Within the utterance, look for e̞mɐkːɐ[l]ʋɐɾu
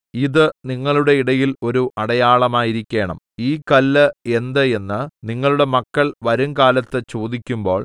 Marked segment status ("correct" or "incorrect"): incorrect